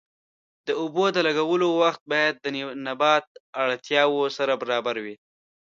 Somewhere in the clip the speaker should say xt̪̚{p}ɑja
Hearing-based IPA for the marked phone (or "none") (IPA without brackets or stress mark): b